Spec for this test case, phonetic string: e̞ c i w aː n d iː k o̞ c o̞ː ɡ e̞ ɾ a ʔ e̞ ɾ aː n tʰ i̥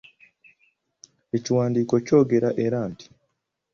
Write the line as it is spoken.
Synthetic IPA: e̞ c i w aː n d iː k o̞ c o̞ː ɡ e̞ ɾ a ʔ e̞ ɾ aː n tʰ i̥